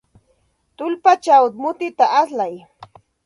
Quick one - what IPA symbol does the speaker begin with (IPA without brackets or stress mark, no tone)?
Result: t̪